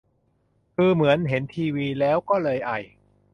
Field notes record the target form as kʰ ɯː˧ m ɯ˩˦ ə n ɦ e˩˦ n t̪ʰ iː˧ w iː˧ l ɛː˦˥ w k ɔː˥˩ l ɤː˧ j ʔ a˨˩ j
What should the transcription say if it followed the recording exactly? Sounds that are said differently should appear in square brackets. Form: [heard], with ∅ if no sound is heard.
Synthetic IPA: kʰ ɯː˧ m ɯ˩˦ ə n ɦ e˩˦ n t̪ʰ iː˧ w iː˧ l ɛː˦˥ w k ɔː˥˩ l ɤː˧ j ʔ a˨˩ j